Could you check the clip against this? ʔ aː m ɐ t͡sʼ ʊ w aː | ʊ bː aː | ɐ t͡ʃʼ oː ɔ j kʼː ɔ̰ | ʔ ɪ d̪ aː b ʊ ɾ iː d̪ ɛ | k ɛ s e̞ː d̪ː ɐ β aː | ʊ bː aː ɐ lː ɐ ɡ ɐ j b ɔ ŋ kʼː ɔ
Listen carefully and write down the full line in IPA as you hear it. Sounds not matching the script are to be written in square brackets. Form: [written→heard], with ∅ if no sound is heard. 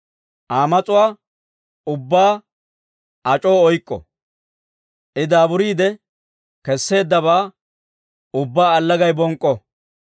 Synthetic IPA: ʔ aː m ɐ t͡sʼ ʊ w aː | ʊ bː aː | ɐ t͡ʃʼ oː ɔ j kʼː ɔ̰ | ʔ ɪ d̪ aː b ʊ ɾ iː d̪ ɛ | k ɛ [s→sː] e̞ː d̪ː ɐ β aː | ʊ bː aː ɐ lː ɐ ɡ ɐ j b ɔ ŋ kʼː ɔ